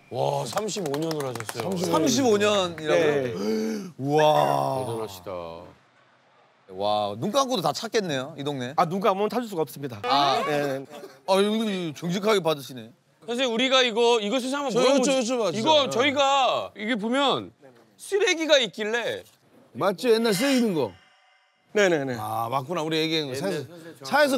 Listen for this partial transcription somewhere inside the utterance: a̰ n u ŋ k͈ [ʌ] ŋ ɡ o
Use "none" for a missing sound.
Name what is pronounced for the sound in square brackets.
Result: a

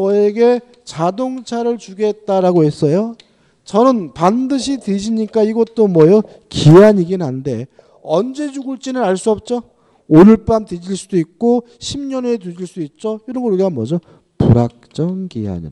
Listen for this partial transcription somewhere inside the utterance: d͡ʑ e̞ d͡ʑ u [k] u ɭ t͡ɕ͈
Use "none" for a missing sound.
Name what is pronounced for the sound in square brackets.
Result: ɡ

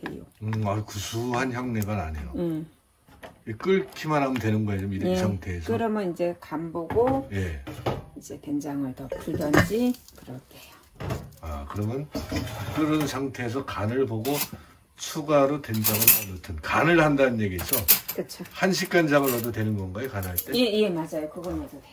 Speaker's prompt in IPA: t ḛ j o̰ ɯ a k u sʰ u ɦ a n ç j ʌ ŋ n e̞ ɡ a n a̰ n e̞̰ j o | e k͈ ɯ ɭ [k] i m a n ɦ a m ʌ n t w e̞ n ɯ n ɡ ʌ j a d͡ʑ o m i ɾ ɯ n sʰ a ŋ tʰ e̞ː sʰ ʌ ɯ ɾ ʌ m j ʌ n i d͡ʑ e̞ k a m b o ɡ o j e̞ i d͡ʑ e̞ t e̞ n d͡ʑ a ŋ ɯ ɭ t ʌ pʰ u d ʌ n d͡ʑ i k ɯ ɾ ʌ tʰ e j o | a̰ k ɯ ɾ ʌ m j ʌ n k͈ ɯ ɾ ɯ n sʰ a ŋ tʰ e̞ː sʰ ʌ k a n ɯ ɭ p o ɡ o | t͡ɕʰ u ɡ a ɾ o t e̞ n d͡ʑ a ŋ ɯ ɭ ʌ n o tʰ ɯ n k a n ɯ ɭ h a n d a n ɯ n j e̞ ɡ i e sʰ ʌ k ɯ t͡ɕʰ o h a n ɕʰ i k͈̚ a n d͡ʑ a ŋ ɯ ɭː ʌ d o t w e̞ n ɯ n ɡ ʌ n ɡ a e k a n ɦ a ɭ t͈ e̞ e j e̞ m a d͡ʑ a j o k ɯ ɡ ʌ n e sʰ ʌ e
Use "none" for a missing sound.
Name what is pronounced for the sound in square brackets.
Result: kʰ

